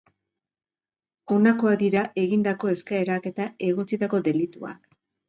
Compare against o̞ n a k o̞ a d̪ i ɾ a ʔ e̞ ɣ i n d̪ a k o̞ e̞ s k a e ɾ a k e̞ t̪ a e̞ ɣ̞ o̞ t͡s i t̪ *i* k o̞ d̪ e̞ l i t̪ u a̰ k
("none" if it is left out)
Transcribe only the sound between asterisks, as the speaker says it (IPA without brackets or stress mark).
a